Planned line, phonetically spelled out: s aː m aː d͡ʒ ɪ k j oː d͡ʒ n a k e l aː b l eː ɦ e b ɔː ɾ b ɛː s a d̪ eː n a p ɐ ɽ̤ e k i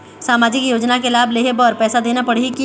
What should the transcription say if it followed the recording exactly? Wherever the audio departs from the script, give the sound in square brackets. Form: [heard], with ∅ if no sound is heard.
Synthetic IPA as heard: s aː m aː d͡ʒ ɪ k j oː d͡ʒ n a k e l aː b l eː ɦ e b ɔː ɾ [p] ɛː s a d̪ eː n a p ɐ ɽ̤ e k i